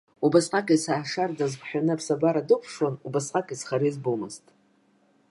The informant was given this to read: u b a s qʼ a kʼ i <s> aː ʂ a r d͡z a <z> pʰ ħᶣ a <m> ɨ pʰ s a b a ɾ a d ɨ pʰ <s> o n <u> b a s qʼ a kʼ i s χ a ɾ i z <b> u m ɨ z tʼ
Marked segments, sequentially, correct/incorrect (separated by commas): correct, correct, incorrect, incorrect, correct, correct